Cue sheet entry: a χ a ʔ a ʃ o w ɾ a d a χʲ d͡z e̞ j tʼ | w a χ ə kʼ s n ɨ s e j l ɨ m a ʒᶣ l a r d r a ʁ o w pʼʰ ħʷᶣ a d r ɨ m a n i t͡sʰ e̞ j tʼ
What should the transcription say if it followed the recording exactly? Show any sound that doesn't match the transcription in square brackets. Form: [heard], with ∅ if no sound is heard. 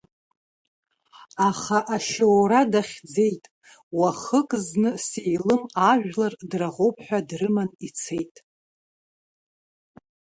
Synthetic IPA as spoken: a χ a ʔ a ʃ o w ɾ a d a χʲ d͡z e̞ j tʼ | w a χ ə kʼ [z] n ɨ s e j l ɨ m a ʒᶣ l a r d r a ʁ o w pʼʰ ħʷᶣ a d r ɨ m a n i t͡sʰ e̞ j tʼ